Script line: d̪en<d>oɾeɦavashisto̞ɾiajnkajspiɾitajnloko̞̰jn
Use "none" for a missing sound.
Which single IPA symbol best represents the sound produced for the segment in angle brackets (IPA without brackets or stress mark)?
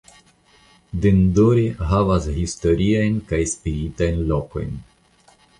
d